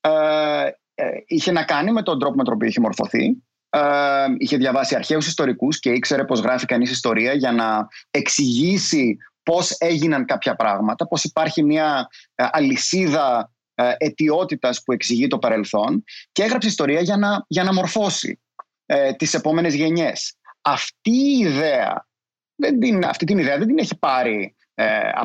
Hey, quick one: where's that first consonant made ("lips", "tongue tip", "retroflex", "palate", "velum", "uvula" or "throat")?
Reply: palate